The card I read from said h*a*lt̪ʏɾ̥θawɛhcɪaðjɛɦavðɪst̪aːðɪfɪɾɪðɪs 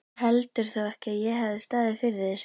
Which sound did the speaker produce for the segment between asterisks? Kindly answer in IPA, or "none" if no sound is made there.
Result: ɛ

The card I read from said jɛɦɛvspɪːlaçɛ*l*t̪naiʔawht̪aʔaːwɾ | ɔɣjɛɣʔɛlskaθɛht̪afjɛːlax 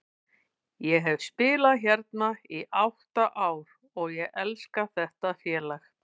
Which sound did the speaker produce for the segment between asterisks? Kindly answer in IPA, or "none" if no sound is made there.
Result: ɾ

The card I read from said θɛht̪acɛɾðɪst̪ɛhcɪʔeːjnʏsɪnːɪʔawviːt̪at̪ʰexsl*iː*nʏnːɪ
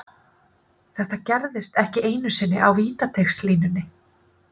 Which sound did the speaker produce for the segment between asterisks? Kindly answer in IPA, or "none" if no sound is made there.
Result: iː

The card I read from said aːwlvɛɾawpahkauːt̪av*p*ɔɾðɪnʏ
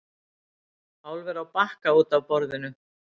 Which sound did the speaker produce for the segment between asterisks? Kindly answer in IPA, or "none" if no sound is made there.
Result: p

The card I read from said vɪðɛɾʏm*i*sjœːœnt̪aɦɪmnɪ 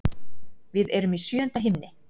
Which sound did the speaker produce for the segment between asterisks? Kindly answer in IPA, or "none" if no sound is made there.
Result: i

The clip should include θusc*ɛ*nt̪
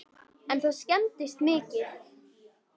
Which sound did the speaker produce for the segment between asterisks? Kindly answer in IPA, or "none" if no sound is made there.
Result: ɛ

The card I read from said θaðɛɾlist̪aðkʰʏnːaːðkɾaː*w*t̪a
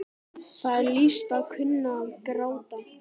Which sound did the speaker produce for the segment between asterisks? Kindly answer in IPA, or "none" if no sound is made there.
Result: w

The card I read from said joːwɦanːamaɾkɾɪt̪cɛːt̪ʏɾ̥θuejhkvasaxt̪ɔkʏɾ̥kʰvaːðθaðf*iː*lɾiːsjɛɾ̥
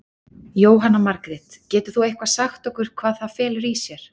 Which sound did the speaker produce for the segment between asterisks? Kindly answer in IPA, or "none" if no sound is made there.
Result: ɛː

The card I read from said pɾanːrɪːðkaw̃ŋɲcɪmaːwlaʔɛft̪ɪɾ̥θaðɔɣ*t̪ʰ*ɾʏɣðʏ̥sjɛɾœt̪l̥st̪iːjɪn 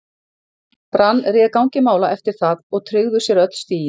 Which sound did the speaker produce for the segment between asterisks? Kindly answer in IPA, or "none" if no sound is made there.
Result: t̪ʰ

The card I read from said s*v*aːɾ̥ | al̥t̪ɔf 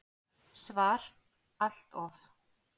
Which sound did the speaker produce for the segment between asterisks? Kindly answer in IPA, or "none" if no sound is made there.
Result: v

